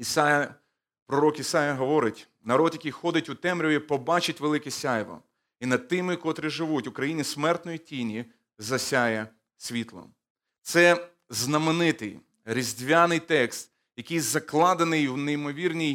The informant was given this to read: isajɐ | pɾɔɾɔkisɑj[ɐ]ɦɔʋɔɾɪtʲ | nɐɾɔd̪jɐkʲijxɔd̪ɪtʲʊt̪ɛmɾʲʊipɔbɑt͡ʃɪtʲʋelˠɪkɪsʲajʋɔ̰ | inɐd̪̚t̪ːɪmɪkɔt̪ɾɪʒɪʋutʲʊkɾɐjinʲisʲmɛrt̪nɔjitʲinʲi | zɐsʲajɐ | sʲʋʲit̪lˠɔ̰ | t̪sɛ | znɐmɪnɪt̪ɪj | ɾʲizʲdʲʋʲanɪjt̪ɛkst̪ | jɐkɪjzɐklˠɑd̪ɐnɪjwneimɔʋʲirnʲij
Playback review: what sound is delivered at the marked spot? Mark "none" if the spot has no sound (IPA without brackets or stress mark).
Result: ɐ